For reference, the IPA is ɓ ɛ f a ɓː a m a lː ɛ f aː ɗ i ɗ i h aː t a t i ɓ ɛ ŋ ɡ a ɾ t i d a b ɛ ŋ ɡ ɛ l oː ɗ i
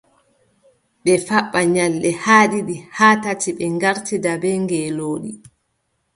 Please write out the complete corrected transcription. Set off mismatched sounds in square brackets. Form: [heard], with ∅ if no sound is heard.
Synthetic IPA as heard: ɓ ɛ f a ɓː a [ɲ] a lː ɛ [h] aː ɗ i ɗ i h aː t a t i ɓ ɛ ŋ ɡ a ɾ t i d a b ɛ ŋ ɡ ɛ l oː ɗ i